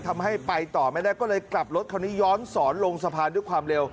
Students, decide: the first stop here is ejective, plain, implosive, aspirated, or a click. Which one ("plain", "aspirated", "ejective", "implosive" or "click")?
aspirated